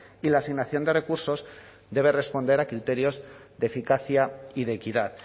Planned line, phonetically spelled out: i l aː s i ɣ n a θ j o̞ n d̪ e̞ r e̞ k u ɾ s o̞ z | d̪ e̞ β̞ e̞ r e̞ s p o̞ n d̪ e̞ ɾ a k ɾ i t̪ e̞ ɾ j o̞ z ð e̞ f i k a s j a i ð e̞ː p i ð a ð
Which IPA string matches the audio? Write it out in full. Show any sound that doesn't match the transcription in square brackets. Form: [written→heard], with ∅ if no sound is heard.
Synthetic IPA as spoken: i l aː s i ɣ n a θ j o̞ n d̪ e̞ r e̞ k u ɾ s o̞ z | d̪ e̞ β̞ e̞ r e̞ s p o̞ n d̪ e̞ ɾ a k ɾ i t̪ e̞ ɾ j o̞ z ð e̞ f i k a [s→θ] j a i ð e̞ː [p→k] i ð a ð